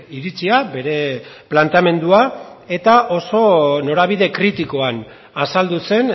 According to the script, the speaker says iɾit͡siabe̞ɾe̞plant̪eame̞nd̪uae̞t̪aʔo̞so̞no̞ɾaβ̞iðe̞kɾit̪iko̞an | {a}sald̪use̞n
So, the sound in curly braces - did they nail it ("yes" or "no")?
yes